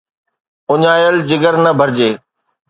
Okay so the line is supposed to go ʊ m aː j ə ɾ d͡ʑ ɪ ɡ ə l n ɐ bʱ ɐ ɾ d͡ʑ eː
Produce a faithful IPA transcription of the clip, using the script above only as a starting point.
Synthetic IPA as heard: ʊ ɲ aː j ə l d͡ʑ ɪ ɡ ə ɾ n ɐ bʱ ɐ ɾ d͡ʑ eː